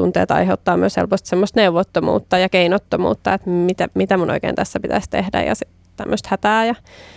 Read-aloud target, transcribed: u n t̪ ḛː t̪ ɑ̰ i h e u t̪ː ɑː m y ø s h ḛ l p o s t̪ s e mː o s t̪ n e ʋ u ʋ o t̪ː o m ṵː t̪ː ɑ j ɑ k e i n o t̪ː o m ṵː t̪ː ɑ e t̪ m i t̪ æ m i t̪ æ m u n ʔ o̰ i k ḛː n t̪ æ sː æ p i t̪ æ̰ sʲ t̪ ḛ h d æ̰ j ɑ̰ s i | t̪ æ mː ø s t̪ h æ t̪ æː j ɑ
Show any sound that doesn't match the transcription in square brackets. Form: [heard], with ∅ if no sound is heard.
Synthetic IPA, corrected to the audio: u n t̪ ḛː t̪ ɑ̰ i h e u t̪ː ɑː m y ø s h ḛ l p o s t̪ s e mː o s t̪ n e [∅] u ʋ o t̪ː o m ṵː t̪ː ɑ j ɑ k e i n o t̪ː o m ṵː t̪ː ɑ e t̪ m i t̪ æ m i t̪ æ m u n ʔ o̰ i k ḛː n t̪ æ sː æ p i t̪ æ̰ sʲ t̪ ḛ h d æ̰ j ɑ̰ s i | t̪ æ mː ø s t̪ h æ t̪ æː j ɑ